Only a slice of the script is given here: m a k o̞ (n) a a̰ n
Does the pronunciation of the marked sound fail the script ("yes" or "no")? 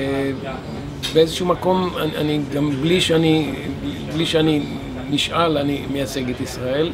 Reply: yes